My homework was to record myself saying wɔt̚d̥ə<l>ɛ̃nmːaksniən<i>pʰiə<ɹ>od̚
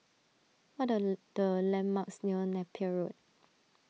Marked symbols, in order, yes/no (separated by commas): yes, no, yes